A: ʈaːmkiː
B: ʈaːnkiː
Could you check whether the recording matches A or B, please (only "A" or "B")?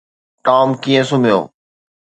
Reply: A